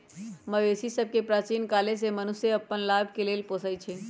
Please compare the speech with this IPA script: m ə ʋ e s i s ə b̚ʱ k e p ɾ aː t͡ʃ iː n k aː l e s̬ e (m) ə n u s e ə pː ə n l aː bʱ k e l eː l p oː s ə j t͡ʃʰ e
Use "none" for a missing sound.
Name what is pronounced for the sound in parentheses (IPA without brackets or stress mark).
m